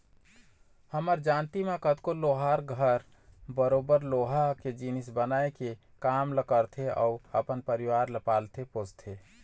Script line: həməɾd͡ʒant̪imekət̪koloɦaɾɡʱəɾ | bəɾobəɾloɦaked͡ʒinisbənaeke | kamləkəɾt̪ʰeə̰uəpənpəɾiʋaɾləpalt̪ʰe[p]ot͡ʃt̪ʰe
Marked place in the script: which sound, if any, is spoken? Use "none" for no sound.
p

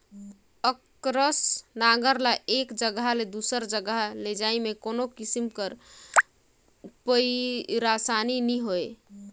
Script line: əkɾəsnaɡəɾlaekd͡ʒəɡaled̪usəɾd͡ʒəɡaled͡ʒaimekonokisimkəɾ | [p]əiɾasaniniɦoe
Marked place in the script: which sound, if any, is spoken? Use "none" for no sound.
p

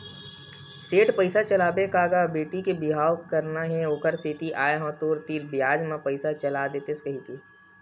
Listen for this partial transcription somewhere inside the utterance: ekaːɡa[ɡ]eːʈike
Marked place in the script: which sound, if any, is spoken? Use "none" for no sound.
b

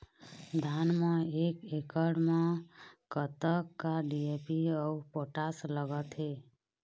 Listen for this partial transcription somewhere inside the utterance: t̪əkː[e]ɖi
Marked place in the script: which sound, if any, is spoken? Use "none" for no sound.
a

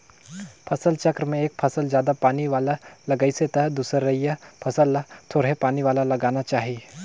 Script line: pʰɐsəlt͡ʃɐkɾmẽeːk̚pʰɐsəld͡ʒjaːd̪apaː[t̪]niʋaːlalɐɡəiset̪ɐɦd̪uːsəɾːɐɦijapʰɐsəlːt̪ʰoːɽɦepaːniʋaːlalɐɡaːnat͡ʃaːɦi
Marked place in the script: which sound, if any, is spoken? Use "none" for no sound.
none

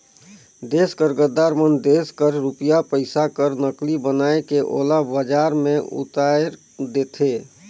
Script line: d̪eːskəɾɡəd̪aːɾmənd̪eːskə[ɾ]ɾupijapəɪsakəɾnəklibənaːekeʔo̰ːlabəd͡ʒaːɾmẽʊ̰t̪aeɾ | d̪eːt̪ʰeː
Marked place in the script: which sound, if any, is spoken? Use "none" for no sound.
ɾ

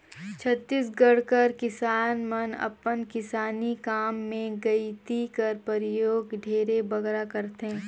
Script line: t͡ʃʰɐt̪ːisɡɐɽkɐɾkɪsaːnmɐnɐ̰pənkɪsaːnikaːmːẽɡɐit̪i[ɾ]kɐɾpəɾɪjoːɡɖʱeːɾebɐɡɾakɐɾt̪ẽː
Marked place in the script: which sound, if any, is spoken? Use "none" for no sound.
none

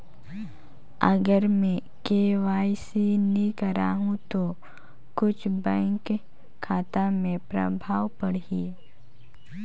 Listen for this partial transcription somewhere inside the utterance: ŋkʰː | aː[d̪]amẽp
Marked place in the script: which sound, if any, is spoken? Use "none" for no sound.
t̪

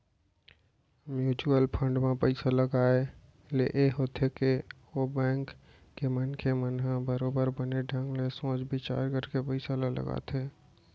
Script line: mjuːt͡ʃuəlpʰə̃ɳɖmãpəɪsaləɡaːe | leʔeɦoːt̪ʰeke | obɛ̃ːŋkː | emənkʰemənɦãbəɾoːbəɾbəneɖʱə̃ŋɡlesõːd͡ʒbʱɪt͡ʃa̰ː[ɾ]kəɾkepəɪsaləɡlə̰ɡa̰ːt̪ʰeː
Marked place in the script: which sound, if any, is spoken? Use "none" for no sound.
ɾ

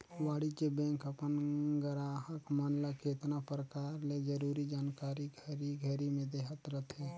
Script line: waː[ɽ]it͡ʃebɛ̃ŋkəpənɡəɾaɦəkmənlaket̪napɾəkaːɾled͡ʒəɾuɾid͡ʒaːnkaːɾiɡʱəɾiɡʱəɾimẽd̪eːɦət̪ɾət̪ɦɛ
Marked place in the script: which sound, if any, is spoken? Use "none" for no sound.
ɽ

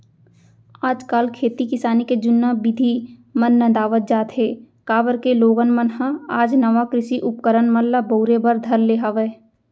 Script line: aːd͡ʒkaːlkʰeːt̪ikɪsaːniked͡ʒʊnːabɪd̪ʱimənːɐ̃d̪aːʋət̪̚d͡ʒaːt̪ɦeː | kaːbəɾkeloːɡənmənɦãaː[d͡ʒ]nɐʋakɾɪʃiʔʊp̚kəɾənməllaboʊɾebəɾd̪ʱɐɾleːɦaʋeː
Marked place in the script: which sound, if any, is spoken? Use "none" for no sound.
d͡ʒ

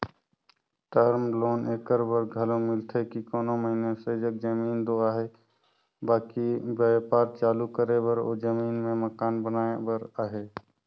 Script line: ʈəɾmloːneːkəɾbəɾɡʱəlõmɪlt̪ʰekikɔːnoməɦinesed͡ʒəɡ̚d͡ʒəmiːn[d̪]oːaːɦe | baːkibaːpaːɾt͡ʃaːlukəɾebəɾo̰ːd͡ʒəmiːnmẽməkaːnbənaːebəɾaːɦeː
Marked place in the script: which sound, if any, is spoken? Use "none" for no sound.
d̪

